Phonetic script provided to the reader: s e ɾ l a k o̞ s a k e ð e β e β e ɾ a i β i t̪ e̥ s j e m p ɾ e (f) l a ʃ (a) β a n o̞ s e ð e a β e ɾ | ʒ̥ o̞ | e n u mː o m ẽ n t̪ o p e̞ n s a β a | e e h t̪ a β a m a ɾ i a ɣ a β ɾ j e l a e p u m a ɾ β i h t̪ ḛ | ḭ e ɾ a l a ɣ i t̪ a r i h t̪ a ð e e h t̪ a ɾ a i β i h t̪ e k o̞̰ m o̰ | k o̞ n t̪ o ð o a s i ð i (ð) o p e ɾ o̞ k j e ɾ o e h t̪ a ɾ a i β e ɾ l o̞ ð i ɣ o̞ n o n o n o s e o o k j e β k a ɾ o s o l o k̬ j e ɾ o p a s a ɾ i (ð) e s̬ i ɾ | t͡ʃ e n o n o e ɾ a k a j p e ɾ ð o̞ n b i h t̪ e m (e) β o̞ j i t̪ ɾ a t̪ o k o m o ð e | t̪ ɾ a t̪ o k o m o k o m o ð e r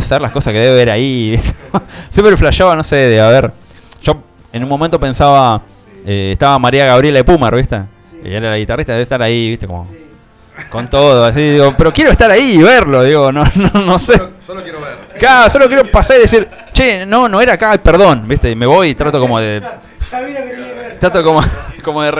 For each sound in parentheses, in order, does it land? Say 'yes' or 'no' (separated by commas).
yes, yes, no, yes, yes